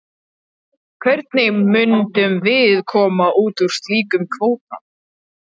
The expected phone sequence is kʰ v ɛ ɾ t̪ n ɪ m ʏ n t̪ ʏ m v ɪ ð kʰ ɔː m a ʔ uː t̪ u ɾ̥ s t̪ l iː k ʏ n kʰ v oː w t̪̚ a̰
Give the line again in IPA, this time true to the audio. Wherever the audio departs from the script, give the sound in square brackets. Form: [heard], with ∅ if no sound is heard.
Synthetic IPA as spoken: kʰ v ɛ ɾ t̪ n ɪ m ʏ n t̪ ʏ m v ɪ ð kʰ ɔː m a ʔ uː t̪ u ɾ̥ s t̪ l iː k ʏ [m] kʰ v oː w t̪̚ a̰